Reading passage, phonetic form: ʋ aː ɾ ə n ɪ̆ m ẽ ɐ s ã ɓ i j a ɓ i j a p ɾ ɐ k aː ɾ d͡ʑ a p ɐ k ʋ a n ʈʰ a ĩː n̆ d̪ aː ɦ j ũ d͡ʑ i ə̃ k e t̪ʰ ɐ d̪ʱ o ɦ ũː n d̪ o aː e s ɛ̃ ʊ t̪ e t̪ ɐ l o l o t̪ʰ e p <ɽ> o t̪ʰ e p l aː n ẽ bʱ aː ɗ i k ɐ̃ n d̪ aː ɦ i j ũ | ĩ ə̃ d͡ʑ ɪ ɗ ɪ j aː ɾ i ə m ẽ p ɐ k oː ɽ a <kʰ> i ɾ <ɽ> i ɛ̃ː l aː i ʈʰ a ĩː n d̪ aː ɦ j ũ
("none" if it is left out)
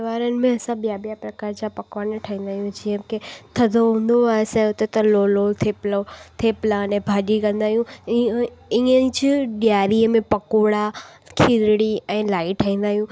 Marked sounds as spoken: l, kʰ, ɽ

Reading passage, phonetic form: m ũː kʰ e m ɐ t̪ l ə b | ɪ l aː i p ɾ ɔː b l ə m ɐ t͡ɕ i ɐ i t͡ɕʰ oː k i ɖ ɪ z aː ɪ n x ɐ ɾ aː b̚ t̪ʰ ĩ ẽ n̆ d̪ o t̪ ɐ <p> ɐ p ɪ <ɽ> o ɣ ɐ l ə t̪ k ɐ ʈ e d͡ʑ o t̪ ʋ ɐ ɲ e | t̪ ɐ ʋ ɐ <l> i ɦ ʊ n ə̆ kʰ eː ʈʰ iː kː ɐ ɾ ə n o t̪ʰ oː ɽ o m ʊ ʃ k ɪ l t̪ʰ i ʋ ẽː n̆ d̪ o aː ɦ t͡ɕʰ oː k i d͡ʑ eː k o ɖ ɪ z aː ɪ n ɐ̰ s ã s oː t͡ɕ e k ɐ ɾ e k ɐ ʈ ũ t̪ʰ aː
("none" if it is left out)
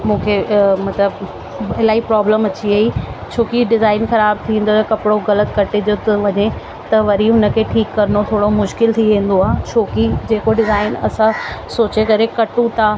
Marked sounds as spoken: k, ɽ, ɾ

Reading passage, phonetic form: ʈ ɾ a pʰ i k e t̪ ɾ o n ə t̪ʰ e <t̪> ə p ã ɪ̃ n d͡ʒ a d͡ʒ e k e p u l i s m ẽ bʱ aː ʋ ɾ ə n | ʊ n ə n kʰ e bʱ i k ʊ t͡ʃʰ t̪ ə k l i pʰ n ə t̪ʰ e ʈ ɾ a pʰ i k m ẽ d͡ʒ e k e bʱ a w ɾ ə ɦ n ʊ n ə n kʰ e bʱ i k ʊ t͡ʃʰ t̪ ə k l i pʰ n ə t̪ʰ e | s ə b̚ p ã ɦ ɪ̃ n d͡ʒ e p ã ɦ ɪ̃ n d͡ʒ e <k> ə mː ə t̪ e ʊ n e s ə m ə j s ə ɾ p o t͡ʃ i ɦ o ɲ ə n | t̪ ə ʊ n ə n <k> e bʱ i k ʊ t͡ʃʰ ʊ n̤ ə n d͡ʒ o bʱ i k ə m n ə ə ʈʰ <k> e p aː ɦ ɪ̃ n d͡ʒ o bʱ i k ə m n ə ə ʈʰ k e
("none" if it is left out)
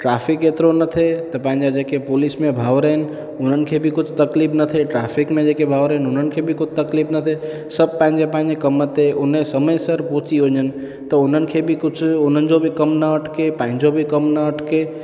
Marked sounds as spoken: t̪, k, kʰ, k

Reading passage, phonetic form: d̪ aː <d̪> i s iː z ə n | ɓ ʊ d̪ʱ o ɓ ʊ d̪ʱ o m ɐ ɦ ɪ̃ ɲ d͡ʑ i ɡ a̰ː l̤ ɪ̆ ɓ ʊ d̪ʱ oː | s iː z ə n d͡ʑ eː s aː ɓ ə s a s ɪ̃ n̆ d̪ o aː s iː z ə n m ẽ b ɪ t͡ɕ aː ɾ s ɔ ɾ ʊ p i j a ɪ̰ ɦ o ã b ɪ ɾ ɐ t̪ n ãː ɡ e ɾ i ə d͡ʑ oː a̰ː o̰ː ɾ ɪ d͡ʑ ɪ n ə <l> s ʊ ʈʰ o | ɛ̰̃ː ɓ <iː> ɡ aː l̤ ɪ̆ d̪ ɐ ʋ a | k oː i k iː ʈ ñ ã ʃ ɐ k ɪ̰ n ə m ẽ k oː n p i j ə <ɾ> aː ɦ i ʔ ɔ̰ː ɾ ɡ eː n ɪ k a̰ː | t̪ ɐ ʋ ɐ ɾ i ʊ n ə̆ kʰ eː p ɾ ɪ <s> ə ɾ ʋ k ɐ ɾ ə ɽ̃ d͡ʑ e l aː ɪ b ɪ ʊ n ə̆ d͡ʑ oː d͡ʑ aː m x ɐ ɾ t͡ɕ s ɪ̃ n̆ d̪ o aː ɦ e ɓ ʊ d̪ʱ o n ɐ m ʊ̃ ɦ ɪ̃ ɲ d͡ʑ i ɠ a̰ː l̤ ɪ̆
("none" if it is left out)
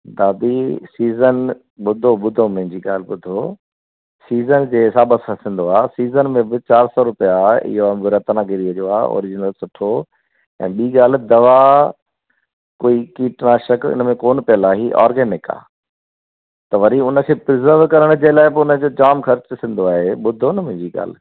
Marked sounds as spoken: d̪, l, iː, l, z

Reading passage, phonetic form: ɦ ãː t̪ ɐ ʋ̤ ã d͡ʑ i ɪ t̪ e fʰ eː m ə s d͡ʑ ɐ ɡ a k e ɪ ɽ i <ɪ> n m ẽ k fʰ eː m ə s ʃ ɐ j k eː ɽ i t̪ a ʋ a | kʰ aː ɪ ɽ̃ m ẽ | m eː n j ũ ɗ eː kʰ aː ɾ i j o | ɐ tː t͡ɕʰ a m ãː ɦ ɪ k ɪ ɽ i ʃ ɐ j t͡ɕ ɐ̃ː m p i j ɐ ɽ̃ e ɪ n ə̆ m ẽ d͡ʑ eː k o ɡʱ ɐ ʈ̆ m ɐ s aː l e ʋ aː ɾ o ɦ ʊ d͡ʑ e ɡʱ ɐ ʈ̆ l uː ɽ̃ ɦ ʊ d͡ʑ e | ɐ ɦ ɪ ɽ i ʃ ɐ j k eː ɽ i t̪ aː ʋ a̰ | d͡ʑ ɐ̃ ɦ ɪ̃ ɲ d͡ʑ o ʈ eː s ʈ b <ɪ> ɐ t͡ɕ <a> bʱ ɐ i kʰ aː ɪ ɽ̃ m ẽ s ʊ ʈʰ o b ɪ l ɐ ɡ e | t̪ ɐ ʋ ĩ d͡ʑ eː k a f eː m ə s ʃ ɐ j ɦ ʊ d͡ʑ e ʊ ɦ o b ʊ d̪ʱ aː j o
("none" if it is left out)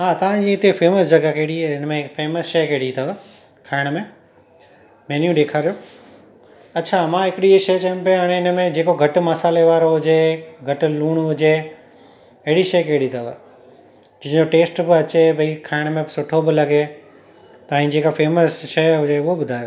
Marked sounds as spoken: ɪ, ɪ, e

